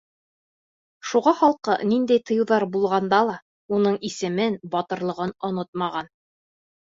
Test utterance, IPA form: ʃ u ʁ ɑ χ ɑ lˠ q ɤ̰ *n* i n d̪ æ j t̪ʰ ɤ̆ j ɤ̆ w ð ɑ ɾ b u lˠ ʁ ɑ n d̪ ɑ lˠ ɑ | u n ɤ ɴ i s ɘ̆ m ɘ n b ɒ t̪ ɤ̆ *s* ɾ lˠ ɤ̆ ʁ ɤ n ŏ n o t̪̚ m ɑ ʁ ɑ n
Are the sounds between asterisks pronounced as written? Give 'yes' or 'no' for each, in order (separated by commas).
yes, no